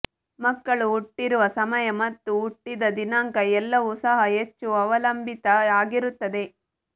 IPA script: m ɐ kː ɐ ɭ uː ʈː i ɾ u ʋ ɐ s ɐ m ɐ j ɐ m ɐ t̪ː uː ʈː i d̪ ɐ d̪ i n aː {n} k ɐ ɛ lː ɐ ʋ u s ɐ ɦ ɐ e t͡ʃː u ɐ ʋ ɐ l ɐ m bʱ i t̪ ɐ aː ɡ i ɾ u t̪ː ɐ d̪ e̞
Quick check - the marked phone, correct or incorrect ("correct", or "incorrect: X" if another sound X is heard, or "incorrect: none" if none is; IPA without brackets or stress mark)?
incorrect: ŋ